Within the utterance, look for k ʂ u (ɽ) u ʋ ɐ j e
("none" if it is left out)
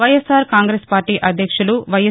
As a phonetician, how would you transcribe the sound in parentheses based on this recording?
l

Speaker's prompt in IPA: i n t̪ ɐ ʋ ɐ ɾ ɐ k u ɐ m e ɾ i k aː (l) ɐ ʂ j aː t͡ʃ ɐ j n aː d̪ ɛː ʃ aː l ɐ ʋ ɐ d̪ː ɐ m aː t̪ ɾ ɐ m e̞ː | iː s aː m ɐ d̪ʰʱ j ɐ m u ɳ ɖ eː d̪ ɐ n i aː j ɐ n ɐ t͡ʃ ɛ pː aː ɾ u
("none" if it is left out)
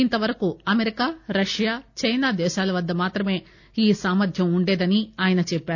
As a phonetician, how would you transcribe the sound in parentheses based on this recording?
ɾ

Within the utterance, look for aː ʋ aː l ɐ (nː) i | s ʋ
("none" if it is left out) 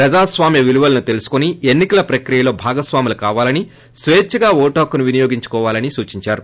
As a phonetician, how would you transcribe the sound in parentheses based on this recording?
n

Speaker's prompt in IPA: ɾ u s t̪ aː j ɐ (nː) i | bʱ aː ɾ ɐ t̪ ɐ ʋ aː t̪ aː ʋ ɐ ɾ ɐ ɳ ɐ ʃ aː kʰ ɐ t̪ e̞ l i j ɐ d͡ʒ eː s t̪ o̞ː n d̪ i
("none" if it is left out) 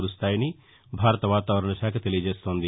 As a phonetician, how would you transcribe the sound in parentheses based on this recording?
n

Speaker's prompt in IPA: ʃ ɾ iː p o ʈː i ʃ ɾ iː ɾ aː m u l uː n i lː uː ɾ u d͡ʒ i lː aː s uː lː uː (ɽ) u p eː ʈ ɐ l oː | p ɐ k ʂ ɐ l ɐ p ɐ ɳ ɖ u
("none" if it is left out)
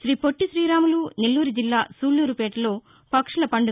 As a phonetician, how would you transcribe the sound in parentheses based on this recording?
ɾ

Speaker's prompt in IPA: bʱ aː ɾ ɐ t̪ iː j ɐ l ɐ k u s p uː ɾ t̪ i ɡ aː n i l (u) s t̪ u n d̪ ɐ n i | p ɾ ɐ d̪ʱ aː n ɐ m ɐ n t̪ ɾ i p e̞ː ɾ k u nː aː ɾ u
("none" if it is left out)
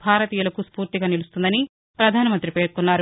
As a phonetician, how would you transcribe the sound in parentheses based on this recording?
u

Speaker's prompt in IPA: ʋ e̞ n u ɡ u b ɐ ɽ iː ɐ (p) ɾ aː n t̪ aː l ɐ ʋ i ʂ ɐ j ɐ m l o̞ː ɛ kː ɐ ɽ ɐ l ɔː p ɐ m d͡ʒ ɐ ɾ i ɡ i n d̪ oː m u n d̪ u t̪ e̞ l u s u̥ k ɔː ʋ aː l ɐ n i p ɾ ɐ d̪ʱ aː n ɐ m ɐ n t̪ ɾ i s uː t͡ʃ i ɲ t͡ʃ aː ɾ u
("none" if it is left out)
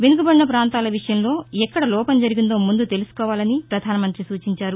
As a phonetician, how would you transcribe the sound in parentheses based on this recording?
p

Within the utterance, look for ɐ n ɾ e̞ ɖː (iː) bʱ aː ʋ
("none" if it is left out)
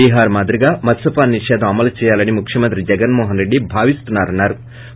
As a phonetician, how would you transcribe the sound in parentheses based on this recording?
i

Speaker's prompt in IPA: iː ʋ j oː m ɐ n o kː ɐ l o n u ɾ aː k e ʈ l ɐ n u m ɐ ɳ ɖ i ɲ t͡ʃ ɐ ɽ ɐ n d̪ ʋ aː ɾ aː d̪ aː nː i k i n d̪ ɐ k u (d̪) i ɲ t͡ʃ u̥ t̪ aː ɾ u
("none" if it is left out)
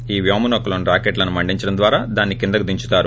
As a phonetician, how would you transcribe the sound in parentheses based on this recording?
d̪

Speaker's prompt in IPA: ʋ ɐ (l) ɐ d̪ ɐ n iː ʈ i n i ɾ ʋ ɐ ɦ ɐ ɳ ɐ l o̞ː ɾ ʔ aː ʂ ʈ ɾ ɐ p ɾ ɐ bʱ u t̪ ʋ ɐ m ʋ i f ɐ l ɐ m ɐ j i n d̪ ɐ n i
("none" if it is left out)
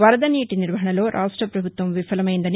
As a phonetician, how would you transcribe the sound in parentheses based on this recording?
ɾ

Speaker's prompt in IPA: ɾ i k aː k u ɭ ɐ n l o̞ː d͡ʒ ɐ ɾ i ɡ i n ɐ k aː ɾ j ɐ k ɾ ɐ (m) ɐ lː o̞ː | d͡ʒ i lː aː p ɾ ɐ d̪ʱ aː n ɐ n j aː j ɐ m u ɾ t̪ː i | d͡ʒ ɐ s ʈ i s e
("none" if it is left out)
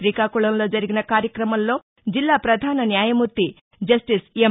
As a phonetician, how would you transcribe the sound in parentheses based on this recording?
m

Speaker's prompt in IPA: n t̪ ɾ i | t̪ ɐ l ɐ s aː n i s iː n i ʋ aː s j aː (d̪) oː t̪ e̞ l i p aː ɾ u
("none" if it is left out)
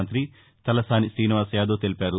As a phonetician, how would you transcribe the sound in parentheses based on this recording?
d̪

